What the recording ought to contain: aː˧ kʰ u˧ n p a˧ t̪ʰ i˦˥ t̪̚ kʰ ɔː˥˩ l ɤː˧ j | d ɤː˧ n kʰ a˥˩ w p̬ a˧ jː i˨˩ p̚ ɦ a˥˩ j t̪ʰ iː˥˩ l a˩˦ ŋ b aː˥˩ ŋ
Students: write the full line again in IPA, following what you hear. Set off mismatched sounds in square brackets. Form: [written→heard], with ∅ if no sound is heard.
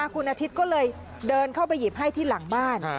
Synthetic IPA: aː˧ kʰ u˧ n [p→ʔ] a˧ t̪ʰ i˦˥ t̪̚ [kʰ→k] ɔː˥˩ l ɤː˧ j | d ɤː˧ n kʰ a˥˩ w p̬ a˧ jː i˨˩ p̚ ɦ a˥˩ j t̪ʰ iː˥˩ l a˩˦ ŋ b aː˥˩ [ŋ→n]

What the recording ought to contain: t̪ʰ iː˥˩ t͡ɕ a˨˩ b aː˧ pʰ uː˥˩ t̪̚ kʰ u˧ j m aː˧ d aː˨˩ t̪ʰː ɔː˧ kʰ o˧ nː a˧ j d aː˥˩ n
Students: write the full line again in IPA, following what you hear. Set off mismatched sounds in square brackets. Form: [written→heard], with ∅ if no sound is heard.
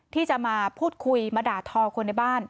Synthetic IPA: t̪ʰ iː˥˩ t͡ɕ a˨˩ [b→m] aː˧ pʰ uː˥˩ t̪̚ kʰ u˧ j m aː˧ d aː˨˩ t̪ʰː ɔː˧ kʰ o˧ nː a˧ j [d→b] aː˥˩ n

